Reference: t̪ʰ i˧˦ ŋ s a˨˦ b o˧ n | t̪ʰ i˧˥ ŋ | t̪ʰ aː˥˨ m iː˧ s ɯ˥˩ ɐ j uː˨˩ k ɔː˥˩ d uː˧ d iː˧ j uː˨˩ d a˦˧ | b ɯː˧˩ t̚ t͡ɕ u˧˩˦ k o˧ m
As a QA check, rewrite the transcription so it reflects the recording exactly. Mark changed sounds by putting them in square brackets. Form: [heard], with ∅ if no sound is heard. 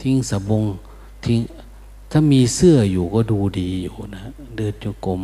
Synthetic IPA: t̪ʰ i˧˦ ŋ s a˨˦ b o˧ [ŋ] | t̪ʰ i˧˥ ŋ | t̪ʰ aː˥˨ m iː˧ s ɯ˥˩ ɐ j uː˨˩ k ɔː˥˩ d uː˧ d iː˧ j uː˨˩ [n] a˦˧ | [d] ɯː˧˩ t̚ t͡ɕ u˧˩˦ k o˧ m